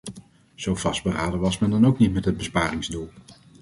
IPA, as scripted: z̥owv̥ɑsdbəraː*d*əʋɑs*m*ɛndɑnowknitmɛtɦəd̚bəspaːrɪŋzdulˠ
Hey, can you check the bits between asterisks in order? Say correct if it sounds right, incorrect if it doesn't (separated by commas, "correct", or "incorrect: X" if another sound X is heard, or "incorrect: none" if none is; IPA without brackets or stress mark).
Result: correct, correct